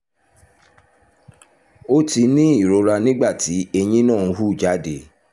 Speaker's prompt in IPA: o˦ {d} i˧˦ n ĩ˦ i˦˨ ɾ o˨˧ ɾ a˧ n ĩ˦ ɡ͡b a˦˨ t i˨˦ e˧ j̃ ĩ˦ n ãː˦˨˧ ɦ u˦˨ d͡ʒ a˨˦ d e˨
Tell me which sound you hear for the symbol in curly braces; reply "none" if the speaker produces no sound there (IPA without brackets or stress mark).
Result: t